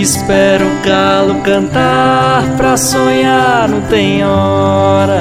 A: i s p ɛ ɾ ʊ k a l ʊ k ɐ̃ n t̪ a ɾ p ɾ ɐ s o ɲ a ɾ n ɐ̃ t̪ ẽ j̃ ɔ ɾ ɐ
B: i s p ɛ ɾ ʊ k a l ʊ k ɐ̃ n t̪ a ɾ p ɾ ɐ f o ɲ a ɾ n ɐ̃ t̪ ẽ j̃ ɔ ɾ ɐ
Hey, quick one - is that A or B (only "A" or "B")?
A